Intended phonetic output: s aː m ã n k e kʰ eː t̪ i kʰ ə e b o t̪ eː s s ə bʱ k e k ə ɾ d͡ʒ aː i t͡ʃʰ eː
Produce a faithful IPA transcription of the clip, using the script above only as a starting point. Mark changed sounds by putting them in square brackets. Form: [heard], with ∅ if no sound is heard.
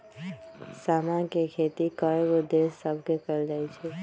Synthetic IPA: s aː m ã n k e kʰ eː t̪ i [k] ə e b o [d̪] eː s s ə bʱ k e k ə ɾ d͡ʒ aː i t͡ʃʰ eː